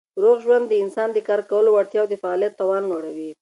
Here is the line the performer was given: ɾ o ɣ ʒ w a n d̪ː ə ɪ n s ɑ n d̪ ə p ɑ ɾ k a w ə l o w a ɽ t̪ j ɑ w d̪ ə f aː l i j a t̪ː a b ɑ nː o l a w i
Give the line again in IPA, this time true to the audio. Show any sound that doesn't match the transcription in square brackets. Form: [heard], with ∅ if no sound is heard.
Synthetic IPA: ɾ o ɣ ʒ w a n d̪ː ə ɪ n s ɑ n d̪ ə [k] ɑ ɾ k a w ə l o w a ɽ t̪ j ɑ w d̪ ə f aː l i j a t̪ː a [w] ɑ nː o [ɽ] a w i